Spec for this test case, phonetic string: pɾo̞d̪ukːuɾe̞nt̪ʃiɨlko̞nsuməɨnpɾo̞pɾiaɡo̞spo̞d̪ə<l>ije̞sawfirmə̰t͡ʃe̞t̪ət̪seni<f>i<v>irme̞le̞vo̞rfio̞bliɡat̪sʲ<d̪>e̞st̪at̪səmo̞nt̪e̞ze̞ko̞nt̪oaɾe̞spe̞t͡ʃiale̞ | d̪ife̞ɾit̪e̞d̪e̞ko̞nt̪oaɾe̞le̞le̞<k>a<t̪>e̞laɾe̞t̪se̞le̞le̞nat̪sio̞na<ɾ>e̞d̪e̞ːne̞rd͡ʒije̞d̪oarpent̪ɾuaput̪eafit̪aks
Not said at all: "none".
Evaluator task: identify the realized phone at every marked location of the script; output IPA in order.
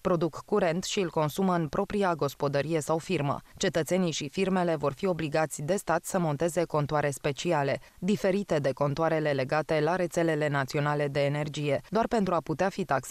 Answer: ɾ, ʃ, f, d̪, ɡ, t̪, l

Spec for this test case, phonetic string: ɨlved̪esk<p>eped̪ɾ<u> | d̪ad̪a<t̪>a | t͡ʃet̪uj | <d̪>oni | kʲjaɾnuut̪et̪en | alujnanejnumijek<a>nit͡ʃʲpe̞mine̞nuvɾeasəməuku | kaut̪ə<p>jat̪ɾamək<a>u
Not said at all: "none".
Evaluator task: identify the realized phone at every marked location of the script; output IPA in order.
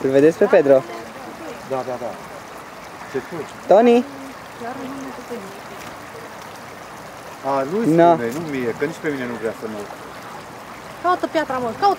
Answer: p, o, d̪, t̪, ə, p, a

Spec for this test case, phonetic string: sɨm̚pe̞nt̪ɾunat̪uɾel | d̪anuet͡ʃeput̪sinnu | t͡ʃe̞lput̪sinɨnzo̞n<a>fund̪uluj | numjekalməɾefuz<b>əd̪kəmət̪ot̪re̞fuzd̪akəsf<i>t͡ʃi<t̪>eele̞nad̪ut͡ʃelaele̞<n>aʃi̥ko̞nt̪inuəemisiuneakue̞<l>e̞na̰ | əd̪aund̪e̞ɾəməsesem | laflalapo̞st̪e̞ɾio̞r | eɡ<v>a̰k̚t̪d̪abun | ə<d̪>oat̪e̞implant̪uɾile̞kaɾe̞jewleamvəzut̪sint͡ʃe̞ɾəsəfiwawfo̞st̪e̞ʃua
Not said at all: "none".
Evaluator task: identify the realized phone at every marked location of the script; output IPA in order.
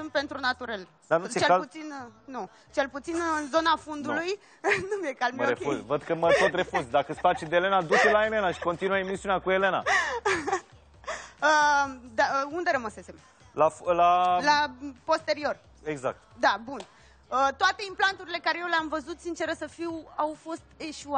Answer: a, v, a, d̪, n, l, z, t̪

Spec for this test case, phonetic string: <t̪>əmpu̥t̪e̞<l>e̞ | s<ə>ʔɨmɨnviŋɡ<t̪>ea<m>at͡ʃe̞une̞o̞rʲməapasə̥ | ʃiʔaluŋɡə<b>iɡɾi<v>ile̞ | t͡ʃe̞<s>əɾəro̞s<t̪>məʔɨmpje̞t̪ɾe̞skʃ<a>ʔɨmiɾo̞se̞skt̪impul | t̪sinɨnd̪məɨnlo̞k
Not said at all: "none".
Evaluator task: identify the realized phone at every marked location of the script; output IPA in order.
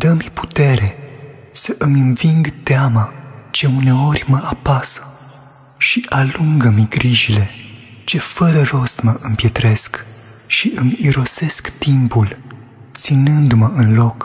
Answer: d̪, ɾ, ə, t̪, m, m, ʒ, f, t̪, i

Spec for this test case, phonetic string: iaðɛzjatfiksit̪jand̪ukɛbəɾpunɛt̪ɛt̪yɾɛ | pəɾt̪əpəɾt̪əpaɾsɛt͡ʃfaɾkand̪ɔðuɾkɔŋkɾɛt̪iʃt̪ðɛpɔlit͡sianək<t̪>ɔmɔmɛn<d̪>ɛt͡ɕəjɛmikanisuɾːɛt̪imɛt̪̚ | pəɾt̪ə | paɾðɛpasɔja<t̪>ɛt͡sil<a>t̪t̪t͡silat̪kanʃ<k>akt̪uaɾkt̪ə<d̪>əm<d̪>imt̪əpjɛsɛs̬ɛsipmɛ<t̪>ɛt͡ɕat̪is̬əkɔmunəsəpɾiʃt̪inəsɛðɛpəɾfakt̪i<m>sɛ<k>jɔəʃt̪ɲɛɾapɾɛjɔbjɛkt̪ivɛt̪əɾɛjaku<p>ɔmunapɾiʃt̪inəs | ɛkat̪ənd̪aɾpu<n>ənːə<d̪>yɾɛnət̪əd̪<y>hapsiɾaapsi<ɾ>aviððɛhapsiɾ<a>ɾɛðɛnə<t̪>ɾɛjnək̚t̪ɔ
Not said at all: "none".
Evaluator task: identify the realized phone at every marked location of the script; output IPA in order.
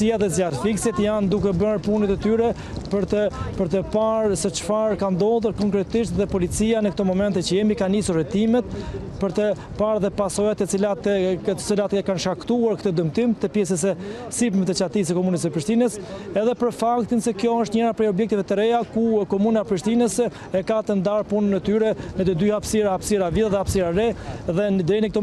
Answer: t̪, t̪, t̪, a, k, d̪, t̪, t̪, n, k, k, n, t̪, y, ɾ, a, d̪

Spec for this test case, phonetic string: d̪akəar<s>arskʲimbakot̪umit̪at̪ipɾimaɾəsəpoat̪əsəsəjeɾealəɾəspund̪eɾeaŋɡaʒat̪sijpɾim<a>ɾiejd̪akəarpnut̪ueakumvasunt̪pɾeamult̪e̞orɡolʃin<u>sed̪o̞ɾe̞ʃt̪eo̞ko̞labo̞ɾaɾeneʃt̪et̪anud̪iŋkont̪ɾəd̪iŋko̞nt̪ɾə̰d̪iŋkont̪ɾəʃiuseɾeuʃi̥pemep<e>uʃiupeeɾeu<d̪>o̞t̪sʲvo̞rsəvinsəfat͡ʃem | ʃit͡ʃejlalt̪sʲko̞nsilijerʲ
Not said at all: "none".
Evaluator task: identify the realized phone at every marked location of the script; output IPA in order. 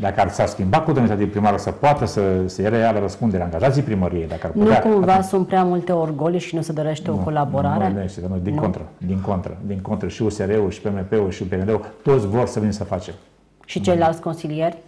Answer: s, ə, u, e, t̪

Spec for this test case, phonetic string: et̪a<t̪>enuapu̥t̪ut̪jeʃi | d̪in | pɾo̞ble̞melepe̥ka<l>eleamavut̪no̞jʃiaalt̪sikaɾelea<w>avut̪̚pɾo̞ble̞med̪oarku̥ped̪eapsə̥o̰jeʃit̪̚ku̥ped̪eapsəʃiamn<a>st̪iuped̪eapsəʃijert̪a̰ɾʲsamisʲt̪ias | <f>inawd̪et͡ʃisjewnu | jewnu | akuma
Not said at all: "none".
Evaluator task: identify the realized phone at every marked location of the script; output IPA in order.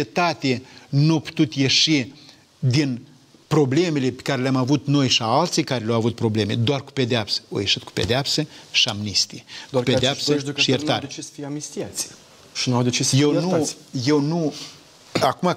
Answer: t̪, ɾ, w, i, ʃ

